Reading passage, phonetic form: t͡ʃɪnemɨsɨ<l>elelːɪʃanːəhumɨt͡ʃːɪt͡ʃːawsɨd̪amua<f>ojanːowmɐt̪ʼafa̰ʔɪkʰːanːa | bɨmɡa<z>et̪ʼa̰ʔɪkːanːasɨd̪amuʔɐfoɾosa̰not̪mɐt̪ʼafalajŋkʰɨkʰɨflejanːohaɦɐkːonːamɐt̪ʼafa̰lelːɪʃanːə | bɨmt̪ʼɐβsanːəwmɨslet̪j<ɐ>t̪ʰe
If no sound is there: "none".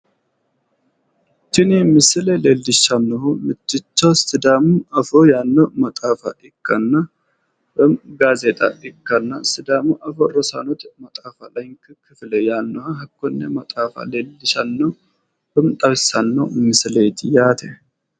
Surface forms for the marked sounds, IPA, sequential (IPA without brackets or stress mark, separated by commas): l, f, z, a